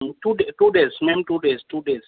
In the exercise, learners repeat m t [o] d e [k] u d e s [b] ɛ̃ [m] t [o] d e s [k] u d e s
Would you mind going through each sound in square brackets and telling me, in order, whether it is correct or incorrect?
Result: incorrect, incorrect, incorrect, correct, incorrect, incorrect

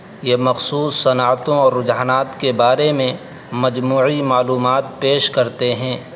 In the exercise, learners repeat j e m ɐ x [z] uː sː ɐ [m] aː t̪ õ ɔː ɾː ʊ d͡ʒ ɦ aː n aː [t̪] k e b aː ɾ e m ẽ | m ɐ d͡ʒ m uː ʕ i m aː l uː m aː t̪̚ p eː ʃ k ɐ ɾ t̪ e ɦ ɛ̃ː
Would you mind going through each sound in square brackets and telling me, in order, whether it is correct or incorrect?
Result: incorrect, incorrect, correct

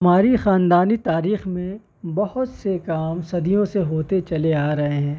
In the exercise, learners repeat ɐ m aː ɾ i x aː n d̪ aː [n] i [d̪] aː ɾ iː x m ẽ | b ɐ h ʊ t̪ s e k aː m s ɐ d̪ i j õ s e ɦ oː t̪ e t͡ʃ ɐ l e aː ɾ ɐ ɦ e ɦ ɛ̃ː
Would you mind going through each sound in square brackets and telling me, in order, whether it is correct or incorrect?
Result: correct, incorrect

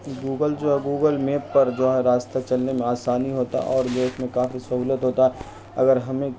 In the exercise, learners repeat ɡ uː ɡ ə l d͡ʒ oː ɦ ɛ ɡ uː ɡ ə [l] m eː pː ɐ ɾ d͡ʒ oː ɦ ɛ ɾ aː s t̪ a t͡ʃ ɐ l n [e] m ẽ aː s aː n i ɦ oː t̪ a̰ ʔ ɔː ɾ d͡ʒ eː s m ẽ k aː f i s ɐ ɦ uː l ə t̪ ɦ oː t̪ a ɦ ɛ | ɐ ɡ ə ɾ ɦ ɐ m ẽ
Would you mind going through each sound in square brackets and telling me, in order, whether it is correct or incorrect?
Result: correct, correct

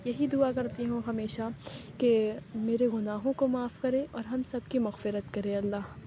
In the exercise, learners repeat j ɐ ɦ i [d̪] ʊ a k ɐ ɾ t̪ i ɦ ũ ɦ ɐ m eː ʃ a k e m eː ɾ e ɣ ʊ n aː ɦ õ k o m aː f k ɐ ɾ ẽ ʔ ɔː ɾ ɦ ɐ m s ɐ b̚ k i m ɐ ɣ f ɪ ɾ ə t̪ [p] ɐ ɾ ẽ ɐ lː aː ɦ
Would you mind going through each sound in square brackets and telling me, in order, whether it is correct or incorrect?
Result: correct, incorrect

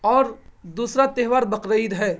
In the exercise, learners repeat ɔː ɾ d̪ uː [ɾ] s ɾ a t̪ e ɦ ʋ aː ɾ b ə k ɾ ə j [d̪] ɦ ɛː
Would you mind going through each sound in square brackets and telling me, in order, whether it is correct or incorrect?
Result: incorrect, correct

